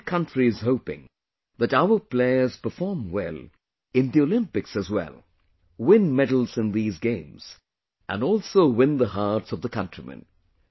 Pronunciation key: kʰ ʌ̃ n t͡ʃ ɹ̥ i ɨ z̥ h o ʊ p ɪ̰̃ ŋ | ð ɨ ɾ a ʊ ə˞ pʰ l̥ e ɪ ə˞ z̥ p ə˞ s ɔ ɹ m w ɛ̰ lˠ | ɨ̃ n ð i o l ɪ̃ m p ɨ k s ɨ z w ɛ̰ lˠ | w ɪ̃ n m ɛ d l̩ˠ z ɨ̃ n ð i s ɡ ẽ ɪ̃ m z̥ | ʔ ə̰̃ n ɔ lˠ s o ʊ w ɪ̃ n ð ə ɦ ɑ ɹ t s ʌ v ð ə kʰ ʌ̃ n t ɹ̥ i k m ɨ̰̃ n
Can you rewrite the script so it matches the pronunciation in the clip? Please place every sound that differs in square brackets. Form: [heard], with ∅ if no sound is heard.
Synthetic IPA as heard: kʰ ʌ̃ n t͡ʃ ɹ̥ i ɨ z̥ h o ʊ p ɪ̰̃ ŋ | ð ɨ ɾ a ʊ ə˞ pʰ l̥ e ɪ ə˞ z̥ p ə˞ [f] ɔ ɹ m w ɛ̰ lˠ | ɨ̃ n ð i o l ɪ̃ m p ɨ k s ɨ z w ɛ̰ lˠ | w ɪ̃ n m ɛ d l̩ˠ z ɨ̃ n ð i [z] ɡ ẽ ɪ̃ m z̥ | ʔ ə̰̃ n ɔ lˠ s o ʊ w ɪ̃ n ð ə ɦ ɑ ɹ t s ʌ v ð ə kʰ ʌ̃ n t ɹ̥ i [∅] m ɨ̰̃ n